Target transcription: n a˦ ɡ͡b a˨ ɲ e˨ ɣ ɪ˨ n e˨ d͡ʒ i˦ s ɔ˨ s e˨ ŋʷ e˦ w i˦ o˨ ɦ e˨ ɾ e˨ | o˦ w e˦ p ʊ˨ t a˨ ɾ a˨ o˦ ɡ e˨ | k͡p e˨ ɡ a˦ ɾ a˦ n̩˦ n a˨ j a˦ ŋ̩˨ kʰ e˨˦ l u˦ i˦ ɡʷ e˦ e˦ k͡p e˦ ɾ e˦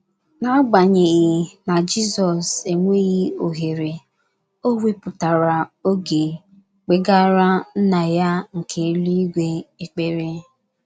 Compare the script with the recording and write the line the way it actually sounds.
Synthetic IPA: n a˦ ɡ͡b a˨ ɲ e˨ ɣ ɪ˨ n a˨ d͡ʒ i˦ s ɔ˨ s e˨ ŋʷ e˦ ɣ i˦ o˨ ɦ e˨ ɾ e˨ | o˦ w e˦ p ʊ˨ t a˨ ɾ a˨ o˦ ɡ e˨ | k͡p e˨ ɡ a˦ ɾ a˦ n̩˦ n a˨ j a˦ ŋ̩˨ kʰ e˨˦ l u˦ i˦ ɡʷ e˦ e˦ k͡p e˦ ɾ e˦